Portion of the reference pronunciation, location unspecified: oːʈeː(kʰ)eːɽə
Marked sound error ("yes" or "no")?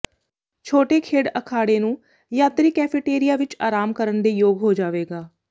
no